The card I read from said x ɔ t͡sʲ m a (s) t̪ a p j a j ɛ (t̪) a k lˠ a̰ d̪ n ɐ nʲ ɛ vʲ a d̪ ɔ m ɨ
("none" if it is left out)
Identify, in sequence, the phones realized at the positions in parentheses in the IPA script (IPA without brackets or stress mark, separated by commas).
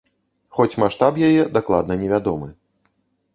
ʂ, d̪